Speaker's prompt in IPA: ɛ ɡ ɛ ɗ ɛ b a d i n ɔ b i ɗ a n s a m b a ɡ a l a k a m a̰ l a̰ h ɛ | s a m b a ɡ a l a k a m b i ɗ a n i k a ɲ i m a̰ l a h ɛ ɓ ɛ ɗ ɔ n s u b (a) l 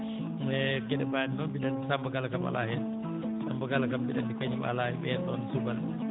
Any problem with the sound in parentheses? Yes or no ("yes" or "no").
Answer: no